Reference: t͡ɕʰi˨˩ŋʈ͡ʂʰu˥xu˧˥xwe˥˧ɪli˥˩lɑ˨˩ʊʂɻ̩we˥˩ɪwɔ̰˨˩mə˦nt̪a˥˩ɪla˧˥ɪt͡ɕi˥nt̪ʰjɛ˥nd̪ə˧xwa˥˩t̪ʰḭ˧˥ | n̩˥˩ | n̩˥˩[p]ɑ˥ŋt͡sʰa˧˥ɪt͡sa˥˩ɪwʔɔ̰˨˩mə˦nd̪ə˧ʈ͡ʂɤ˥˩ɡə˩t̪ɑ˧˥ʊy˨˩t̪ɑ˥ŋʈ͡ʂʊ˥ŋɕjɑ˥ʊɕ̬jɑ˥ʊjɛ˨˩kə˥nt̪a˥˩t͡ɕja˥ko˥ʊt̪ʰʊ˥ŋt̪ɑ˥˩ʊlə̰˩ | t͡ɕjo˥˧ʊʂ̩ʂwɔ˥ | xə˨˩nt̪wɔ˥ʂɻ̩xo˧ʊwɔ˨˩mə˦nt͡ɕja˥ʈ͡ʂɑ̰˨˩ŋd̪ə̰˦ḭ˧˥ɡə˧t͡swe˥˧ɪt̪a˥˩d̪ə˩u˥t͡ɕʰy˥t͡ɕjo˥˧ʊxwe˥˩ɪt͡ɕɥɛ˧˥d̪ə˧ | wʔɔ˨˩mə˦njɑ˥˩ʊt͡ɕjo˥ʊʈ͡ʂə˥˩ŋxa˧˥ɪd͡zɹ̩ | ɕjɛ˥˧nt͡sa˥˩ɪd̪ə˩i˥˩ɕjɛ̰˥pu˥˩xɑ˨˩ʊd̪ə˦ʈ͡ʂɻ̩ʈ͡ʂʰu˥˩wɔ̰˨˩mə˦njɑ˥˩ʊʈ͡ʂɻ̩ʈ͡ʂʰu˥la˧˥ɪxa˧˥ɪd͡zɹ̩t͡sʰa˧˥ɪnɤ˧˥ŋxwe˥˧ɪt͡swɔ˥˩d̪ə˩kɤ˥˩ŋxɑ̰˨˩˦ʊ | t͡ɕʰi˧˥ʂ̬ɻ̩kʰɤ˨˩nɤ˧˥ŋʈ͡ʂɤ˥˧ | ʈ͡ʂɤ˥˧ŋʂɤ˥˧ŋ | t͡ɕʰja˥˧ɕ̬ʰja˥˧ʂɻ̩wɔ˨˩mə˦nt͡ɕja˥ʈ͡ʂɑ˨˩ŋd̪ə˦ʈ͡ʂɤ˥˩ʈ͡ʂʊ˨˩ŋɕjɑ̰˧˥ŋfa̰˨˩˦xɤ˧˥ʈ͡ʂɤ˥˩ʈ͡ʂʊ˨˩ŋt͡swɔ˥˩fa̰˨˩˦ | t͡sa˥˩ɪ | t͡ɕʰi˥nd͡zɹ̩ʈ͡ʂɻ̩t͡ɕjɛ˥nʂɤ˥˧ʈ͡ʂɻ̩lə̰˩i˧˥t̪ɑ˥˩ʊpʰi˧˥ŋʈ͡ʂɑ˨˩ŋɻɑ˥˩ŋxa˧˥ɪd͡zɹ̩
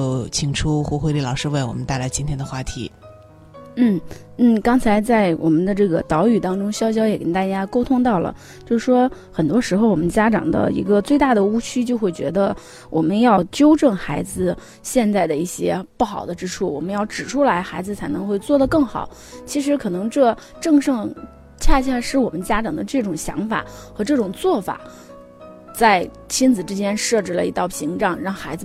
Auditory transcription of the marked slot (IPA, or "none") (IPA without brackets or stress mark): k